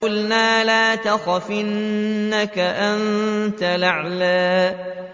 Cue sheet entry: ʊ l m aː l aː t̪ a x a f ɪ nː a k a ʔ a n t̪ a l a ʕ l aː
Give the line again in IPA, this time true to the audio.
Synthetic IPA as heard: ʊ l n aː l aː t̪ a x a f ɪ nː a k a ʔ a n t̪ a l a ʕ l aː